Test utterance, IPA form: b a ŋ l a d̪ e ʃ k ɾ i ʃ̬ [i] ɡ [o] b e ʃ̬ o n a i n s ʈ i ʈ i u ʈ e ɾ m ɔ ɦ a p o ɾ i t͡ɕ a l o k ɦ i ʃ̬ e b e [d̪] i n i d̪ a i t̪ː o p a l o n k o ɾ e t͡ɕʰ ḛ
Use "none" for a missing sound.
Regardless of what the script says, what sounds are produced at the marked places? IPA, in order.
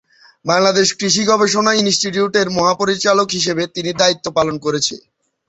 i, ɔ, t̪

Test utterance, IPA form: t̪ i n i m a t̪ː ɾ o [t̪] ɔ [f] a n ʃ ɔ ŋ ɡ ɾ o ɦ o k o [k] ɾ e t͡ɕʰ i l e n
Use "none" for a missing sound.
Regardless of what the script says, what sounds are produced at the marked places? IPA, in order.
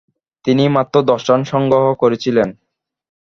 d̪, ʃ, none

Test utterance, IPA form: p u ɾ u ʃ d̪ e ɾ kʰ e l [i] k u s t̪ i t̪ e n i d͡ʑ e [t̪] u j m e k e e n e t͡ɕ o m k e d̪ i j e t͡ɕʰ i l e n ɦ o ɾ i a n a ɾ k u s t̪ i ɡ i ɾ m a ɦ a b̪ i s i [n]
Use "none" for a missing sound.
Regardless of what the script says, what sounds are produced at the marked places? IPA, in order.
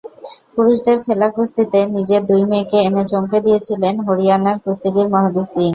a, d̪, ŋ

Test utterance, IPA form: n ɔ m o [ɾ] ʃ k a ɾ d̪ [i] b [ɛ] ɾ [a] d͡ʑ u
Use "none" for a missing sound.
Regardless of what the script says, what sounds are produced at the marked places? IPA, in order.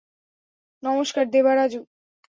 none, e, a, a

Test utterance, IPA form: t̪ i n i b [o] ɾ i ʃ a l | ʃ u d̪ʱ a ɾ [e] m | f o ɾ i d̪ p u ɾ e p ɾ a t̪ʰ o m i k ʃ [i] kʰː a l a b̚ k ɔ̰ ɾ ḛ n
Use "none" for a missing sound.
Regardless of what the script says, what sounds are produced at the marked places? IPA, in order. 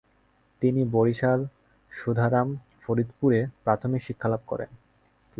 o, a, i

